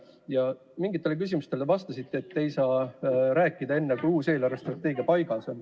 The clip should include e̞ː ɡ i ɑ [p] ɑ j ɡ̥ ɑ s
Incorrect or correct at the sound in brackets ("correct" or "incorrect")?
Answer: correct